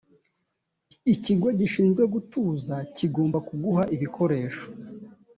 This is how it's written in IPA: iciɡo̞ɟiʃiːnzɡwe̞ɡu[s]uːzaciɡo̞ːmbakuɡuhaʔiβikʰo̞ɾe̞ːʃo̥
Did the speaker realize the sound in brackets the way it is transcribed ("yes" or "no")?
no